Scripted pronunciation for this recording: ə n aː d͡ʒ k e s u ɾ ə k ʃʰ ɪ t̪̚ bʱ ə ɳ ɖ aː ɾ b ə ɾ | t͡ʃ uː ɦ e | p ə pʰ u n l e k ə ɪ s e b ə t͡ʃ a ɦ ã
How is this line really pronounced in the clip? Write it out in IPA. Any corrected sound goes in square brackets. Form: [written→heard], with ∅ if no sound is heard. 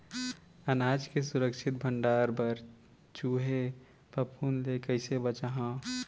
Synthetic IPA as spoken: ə n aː d͡ʒ k e s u ɾ ə k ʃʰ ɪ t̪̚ bʱ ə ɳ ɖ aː ɾ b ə ɾ | t͡ʃ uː ɦ e | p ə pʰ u n l e k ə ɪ s e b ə t͡ʃ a ɦ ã